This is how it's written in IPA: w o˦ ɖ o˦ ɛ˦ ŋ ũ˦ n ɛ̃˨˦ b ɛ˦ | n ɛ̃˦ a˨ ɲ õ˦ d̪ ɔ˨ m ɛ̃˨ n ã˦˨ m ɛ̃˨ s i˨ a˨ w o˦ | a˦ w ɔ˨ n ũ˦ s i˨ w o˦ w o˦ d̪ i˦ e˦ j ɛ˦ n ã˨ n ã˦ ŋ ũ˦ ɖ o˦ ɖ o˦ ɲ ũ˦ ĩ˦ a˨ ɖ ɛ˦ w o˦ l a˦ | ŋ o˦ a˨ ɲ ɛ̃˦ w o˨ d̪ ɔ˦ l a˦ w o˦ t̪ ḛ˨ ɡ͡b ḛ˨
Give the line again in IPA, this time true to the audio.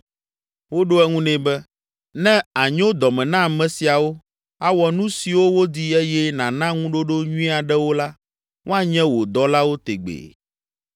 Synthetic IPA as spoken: w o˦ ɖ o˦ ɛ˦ ŋ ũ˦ n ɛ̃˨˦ b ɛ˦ | n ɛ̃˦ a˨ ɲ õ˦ d̪ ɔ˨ m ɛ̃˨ n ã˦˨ m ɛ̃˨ s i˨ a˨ w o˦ | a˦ w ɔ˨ n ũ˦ s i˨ w o˦ w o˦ d̪ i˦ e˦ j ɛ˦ n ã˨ n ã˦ ŋ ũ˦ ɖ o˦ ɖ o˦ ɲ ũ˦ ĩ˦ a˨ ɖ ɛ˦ w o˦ l a˦ | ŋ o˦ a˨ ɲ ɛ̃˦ w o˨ d̪ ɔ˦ l a˦ w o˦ t̪ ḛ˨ ɡ͡b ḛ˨

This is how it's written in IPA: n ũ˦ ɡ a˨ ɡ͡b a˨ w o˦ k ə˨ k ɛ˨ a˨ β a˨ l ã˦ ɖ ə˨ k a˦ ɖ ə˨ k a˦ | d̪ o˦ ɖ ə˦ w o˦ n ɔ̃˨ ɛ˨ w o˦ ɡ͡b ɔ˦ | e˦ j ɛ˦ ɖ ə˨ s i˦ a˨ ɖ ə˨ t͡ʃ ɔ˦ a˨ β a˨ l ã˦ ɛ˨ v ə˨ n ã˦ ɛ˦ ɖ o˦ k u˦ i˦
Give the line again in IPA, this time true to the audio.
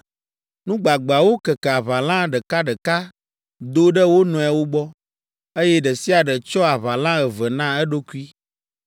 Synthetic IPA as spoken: n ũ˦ ɡ͡b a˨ ɡ͡b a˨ w o˦ k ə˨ k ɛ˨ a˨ β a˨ l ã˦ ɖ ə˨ k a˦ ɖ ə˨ k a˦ | d̪ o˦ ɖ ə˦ w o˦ n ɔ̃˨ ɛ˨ w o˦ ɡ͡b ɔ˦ | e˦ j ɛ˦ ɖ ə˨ s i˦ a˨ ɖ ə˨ t͡ʃ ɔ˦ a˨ β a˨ l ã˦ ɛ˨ v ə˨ n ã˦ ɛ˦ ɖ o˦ k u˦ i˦

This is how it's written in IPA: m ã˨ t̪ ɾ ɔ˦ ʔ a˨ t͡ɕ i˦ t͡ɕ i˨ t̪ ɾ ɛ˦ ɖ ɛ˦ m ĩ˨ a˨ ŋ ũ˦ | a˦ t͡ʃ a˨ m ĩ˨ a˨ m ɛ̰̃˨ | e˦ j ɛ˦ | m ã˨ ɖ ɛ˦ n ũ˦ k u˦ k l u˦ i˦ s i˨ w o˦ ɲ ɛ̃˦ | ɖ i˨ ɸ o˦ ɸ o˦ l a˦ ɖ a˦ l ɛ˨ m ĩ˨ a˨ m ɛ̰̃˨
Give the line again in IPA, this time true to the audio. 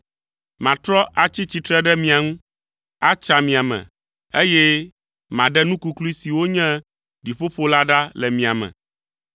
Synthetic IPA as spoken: m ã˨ t̪ ɾ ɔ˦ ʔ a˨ t͡ɕ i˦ t͡ɕ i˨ t̪ ɾ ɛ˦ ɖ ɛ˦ m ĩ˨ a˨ ŋ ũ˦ | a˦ t͡ʃ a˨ m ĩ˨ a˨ m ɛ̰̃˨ | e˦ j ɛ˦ | m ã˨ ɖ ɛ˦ n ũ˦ k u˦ k l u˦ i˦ s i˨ w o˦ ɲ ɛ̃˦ | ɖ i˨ ɸ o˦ ɸ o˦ l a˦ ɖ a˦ l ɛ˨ m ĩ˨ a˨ m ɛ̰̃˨

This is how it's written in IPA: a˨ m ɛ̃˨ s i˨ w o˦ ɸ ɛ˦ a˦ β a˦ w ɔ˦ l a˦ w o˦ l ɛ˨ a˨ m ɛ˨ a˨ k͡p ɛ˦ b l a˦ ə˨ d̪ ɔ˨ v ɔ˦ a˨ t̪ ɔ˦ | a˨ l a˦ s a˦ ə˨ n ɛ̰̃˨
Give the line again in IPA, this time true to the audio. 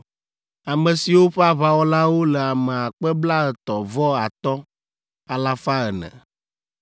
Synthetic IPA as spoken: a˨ m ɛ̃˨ s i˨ w o˦ ɸ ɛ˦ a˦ β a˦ w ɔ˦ l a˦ w o˦ l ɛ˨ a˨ m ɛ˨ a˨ k͡p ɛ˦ b l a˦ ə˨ t̪ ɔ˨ v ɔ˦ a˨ t̪ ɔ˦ | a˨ l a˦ f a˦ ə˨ n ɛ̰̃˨

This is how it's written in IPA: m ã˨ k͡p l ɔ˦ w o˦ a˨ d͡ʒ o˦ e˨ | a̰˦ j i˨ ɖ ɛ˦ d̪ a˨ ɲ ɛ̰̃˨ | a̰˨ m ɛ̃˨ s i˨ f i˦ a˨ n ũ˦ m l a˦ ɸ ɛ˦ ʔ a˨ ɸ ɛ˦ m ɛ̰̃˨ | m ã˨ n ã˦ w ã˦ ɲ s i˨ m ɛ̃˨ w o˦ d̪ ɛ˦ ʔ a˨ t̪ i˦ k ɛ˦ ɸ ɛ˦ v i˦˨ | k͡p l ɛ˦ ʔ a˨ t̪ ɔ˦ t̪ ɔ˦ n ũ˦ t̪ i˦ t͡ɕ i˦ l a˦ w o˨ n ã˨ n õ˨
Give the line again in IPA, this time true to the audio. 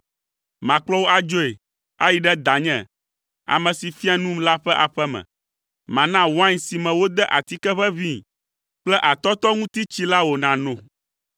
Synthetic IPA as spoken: m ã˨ k͡p l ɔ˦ w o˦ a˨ d͡ʒ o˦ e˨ | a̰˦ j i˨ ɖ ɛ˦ d̪ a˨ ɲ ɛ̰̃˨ | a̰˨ m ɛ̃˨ s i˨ f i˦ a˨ n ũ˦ m l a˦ ɸ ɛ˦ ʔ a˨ ɸ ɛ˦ m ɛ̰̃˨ | m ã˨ n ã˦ w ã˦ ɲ s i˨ m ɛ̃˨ w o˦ d̪ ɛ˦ ʔ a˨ t̪ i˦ k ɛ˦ ɸ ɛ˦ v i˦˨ | k͡p l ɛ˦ ʔ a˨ t̪ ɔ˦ t̪ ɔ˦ ŋ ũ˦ t̪ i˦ t͡ɕ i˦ l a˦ w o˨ n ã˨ n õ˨

